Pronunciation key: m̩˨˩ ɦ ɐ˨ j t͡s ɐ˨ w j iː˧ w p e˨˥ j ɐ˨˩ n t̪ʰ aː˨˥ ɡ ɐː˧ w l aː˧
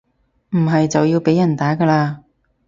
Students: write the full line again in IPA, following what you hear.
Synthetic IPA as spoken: m̩˨˩ ɦ ɐ˨ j t͡s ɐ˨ w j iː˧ w p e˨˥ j ɐ˨˩ n t̪ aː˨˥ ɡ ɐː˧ l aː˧